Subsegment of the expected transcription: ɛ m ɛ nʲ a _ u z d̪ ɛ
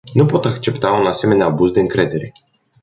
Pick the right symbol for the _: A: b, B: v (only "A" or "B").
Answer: A